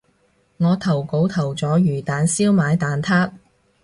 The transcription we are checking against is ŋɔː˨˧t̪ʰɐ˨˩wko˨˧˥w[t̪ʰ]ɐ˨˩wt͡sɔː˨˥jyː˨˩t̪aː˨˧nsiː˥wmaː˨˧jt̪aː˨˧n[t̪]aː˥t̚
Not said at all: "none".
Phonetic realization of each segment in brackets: t̪ʰ, t̪ʰ

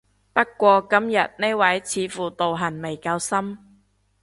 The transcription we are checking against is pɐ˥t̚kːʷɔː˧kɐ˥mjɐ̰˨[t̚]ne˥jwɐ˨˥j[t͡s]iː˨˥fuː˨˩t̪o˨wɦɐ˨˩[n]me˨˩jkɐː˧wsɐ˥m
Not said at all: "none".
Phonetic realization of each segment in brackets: t̚, t͡sʰ, n

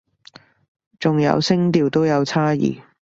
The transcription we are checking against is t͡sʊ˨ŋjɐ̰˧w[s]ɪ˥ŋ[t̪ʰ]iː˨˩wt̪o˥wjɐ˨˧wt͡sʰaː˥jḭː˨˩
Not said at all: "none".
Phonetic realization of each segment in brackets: s, t̪

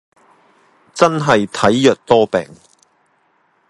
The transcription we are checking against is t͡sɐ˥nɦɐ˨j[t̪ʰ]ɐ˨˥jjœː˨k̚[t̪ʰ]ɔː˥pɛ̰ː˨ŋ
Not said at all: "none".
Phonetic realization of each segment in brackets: t̪ʰ, t̪

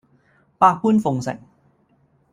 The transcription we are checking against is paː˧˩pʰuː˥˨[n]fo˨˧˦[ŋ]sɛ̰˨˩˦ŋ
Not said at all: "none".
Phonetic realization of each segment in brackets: n, ŋ

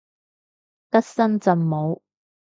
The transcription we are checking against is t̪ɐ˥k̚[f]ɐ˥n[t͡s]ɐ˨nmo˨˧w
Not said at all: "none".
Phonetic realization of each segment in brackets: s, t͡s

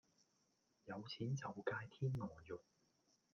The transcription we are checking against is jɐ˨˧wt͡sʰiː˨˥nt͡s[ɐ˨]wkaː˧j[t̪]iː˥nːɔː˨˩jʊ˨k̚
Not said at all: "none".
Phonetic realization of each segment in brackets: ɐ˨, t̪ʰ

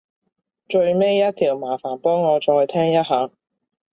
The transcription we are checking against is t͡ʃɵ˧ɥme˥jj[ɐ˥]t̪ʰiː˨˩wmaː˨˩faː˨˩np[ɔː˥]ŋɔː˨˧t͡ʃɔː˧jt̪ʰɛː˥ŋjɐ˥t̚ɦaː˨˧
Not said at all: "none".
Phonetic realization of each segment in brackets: ɐ˥, ɔː˥

